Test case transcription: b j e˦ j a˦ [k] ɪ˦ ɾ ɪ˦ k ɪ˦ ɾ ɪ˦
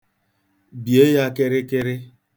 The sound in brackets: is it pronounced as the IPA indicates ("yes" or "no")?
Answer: yes